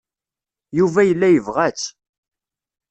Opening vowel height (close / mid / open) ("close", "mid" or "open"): close